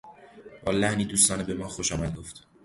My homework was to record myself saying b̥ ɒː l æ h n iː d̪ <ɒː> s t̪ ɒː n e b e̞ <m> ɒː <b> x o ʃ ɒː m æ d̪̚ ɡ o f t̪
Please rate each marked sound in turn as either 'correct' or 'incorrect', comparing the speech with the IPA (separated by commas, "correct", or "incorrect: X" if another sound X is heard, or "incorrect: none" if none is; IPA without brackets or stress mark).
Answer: incorrect: uː, correct, incorrect: none